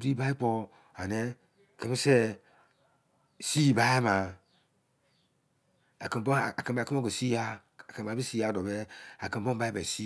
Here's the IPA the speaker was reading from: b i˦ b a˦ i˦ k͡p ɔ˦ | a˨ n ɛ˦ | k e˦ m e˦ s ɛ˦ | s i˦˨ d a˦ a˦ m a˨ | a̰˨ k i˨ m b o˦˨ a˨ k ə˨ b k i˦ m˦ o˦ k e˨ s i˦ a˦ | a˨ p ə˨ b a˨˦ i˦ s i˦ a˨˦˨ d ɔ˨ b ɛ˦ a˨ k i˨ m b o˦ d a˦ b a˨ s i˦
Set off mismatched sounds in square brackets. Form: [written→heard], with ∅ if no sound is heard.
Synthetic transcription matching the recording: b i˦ b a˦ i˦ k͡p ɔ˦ | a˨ n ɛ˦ | k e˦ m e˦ s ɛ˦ | s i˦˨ [d→b] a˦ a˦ m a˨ | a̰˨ k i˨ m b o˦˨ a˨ k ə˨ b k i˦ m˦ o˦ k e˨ s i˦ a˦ | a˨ [p→k] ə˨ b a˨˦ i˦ s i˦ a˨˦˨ d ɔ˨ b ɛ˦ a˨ k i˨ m b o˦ [d→b] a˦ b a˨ s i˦